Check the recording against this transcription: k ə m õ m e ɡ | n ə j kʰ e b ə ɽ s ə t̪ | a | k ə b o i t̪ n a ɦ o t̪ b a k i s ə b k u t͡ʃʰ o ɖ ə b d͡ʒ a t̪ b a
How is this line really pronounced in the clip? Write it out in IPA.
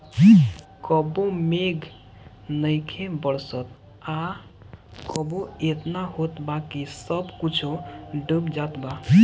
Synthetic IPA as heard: k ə b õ m e ɡ | n ə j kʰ e b ə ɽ s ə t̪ | a | k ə b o e t̪ n a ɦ o t̪ b a k i s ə b k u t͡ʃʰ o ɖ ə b d͡ʒ a t̪ b a